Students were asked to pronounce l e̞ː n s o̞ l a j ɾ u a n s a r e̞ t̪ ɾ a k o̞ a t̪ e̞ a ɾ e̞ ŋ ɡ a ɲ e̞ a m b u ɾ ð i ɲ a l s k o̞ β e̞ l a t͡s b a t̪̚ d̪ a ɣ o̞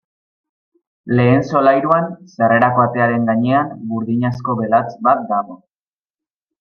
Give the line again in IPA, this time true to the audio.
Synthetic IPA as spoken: l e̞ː n s o̞ l a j ɾ u a n s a r e̞ ɾ a k o̞ a t̪ e̞ a ɾ e̞ ŋ ɡ a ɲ e̞ a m b u ɾ ð i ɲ a s k o̞ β e̞ l a t͡s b a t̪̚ d̪ a ɣ o̞